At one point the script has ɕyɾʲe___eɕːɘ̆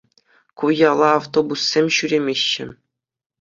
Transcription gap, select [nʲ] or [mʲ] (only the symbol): mʲ